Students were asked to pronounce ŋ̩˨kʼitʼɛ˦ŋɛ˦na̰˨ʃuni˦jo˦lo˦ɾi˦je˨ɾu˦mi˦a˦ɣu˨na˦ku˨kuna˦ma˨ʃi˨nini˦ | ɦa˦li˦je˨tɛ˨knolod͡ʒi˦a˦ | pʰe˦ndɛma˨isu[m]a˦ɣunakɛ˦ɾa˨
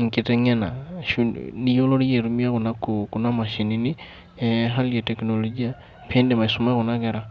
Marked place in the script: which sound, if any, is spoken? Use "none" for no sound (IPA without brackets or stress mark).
m